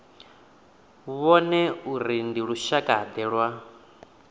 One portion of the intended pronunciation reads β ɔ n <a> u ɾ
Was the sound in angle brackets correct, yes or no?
no